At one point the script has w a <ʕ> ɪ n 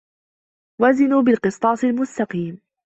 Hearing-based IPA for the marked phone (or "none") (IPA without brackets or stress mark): z